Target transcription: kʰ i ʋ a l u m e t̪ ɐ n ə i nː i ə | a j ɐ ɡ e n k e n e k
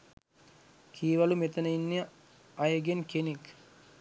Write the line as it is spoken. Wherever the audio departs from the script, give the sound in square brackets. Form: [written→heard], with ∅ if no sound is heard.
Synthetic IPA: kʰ [i→iː] ʋ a l u m e t̪ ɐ n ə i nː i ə | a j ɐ ɡ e n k e n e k